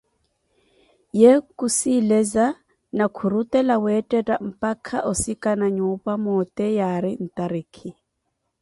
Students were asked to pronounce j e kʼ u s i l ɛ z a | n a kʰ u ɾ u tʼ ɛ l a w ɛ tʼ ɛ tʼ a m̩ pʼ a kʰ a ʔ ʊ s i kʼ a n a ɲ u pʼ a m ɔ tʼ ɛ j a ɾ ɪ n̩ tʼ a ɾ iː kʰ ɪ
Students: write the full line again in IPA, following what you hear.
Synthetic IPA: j e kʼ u s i l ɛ z a | n a kʰ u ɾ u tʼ ɛ l a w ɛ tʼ ɛ tʼ a m̩ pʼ a kʰ a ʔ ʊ s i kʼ a n a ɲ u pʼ a m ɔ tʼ ɛ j a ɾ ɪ n̩ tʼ a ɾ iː kʰ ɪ